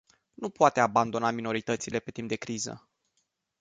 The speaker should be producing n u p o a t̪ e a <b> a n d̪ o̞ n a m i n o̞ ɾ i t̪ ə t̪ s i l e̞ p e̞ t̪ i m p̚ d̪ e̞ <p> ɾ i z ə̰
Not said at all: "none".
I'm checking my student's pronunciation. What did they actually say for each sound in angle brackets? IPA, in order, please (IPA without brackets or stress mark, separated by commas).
b, k